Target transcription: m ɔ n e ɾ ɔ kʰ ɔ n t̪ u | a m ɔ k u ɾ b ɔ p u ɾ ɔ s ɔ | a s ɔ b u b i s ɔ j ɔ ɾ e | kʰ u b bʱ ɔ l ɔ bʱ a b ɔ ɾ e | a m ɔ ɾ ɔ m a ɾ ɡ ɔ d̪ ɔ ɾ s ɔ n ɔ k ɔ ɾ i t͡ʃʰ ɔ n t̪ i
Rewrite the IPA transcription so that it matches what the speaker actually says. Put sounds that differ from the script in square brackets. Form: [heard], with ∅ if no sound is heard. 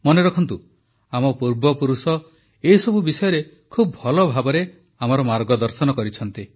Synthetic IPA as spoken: m ɔ n e ɾ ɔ kʰ ɔ n t̪ u | a m ɔ [p] u ɾ b ɔ p u ɾ [u] s ɔ | [e] s ɔ b u b i s ɔ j ɔ ɾ e | kʰ u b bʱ ɔ l ɔ bʱ a b ɔ ɾ e | a m ɔ ɾ ɔ m a ɾ ɡ ɔ d̪ ɔ ɾ s ɔ n ɔ k ɔ ɾ i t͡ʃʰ ɔ n t̪ i